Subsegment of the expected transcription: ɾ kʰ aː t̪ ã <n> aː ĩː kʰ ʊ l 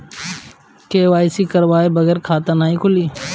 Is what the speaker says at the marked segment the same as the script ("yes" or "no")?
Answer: yes